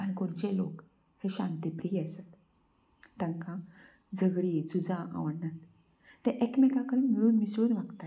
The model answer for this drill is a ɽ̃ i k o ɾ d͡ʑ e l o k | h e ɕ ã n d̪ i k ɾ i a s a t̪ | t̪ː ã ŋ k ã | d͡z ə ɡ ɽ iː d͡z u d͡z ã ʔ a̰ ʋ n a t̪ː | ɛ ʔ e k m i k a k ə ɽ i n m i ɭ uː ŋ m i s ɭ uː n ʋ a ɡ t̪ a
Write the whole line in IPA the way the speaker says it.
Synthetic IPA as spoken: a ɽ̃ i k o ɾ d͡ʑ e l o k | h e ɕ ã n t̪ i p ɾ i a s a t̪ | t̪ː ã ŋ k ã | d͡z ə ɡ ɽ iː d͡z u d͡z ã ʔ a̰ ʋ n a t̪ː | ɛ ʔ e k m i k a k ə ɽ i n m i ɭ uː n m i s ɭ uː n ʋ a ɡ t̪ a